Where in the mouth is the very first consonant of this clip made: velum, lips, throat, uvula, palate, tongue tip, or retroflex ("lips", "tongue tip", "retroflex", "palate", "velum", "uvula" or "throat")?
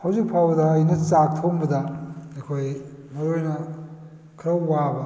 throat